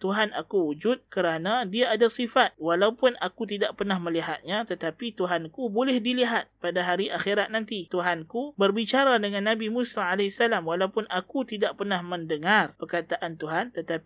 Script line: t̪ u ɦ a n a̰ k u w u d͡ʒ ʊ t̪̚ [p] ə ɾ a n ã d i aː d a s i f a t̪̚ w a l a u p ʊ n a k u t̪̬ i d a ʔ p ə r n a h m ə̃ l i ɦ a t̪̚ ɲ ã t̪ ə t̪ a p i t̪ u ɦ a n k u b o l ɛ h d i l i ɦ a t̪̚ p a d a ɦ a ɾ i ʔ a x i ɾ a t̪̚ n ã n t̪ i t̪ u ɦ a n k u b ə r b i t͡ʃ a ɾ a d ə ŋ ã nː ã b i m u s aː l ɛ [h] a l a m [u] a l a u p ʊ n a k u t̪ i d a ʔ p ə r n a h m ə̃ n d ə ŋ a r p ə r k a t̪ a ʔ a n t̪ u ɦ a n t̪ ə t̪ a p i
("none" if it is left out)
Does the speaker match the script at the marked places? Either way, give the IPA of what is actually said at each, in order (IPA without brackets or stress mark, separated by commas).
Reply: k, s, w